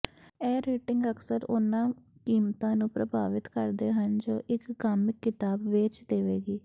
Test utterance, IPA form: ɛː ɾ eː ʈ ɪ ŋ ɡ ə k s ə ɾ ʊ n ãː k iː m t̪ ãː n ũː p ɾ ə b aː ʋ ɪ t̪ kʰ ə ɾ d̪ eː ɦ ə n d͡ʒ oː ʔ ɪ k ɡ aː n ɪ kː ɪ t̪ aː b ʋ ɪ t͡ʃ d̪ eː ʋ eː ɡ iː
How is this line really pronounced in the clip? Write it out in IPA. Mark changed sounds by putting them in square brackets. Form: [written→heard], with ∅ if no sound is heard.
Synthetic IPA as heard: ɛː ɾ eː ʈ ɪ ŋ ɡ ə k s ə ɾ ʊ n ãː k iː m t̪ ãː n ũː p ɾ ə b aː ʋ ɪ t̪ [kʰ→k] ə ɾ d̪ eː ɦ ə n d͡ʒ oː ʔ ɪ k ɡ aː [n→m] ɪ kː ɪ t̪ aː b ʋ ɪ t͡ʃ d̪ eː ʋ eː ɡ iː